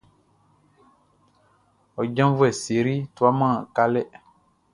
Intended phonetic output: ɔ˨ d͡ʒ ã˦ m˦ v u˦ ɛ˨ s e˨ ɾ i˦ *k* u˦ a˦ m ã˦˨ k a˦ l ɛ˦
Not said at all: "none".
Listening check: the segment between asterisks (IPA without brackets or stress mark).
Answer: t